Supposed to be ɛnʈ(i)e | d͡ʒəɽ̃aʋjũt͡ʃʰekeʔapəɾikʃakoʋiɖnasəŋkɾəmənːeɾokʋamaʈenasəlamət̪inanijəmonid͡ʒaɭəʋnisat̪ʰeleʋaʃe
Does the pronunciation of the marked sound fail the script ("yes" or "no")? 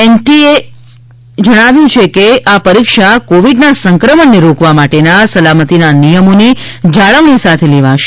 no